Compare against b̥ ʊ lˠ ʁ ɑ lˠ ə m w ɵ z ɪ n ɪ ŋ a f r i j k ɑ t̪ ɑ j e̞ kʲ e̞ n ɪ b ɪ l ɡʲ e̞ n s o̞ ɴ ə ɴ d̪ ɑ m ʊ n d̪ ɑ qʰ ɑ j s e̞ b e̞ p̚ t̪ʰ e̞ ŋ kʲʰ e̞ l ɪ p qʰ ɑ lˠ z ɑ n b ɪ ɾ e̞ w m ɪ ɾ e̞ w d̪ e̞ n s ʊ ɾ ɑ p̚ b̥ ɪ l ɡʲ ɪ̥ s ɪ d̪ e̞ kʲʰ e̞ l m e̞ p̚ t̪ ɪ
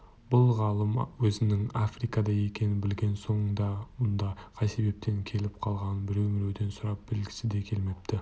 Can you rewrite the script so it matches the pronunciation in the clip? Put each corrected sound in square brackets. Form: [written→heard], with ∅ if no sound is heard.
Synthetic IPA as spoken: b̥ ʊ lˠ ʁ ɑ lˠ ə m w ɵ z ɪ n ɪ ŋ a f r i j k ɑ [t̪→d̪] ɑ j e̞ kʲ e̞ n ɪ b ɪ l ɡʲ e̞ n s o̞ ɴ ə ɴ d̪ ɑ m ʊ n d̪ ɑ qʰ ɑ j s e̞ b e̞ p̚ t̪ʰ e̞ ŋ kʲʰ e̞ l ɪ p qʰ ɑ lˠ [z→ʁ] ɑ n b ɪ ɾ e̞ w m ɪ ɾ e̞ w d̪ e̞ n s ʊ ɾ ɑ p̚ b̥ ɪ l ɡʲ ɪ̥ s ɪ d̪ e̞ kʲʰ e̞ l m e̞ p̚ t̪ ɪ